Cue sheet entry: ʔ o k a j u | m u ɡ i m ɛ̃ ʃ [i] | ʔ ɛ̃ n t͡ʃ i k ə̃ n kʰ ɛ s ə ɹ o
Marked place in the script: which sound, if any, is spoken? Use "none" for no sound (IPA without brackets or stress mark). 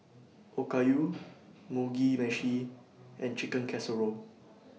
i